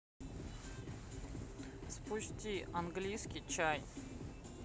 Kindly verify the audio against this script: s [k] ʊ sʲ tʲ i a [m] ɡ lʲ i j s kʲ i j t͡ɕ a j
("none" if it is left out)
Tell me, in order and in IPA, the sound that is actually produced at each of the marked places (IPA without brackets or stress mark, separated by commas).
p, n